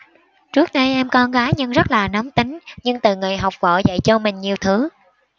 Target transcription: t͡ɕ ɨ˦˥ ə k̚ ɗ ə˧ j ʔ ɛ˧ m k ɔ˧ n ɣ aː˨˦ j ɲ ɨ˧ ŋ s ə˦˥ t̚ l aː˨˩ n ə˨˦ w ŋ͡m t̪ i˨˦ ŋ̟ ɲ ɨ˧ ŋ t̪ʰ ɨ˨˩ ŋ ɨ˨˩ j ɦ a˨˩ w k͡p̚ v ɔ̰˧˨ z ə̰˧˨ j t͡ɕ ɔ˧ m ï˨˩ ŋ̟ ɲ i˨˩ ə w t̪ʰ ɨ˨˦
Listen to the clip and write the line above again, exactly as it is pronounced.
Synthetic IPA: t͡ɕ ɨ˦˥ ə k̚ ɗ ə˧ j ʔ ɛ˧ m k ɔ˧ n ɣ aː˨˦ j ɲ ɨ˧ ŋ z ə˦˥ t̚ l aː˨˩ n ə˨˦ w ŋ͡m t̪ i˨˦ ŋ̟ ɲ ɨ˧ ŋ t̪ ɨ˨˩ ŋ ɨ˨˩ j ɦ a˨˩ w k͡p̚ v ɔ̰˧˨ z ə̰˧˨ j t͡ɕ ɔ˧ m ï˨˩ ŋ̟ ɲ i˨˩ ə w t̪ʰ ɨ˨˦